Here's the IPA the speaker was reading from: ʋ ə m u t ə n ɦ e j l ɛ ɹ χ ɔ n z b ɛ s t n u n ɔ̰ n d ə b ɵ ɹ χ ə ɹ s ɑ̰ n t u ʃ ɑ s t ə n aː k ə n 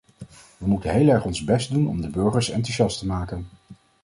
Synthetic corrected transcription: ʋ ə m u t ə n ɦ e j l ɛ ɹ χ ɔ n z b ɛ s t d u n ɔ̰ m d ə b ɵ ɹ χ ə ɹ s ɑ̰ n t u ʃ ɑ s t ə m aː k ə n